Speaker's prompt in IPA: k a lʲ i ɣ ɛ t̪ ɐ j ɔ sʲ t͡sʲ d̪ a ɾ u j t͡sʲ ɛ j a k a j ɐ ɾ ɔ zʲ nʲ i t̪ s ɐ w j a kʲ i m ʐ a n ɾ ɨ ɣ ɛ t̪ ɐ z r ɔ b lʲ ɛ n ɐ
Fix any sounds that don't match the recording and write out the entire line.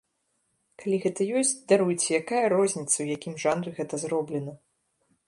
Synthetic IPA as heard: k a lʲ i ɣ ɛ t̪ ɐ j ɔ sʲ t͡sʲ d̪ a ɾ u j t͡sʲ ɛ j a k a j ɐ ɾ ɔ zʲ nʲ i t̪ s ɐ w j a kʲ i m ʐ a n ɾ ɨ ɣ ɛ t̪ ɐ z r ɔ b lʲ ɛ n ɐ